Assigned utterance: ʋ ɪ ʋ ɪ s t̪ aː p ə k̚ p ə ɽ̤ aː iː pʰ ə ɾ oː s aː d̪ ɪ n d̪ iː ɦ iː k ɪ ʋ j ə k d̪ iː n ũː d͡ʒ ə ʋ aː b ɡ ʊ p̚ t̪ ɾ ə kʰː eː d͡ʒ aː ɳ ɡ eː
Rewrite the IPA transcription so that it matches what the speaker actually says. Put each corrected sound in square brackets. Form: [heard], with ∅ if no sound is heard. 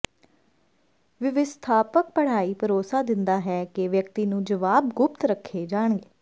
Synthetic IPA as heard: ʋ ɪ ʋ ɪ s [t̪ʰ] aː p ə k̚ p ə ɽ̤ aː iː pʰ ə ɾ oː s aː d̪ ɪ n d̪ [aː] ɦ [ɛː] k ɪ ʋ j ə k [t̪] iː n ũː d͡ʒ ə ʋ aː b ɡ ʊ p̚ t̪ ɾ ə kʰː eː d͡ʒ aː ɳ ɡ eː